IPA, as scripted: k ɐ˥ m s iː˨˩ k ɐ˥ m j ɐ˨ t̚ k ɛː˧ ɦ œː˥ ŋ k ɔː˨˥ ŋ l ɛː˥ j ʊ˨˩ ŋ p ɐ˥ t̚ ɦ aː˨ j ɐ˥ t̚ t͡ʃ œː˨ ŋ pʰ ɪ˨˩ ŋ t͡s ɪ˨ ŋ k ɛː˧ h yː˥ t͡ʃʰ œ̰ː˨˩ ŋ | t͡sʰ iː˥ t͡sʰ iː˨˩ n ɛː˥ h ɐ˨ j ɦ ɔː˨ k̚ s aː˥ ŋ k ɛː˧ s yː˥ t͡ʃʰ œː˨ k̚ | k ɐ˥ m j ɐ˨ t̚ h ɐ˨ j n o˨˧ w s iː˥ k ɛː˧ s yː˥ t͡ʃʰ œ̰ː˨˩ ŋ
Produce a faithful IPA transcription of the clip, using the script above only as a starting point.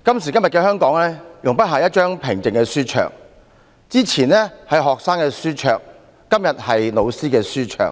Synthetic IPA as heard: k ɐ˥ m s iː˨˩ k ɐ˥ m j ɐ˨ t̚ k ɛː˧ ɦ œː˥ ŋ k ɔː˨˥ ŋ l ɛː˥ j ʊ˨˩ ŋ p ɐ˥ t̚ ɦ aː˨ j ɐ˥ t̚ t͡ʃ œː˥ ŋ pʰ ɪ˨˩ ŋ t͡s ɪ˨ ŋ k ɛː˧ s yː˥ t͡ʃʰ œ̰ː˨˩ ŋ | t͡s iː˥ t͡sʰ iː˨˩ n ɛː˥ h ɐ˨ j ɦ ɔː˨ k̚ s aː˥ ŋ k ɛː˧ s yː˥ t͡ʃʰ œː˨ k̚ | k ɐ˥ m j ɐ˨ t̚ h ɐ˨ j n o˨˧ w s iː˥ k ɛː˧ s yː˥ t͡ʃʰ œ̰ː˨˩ ŋ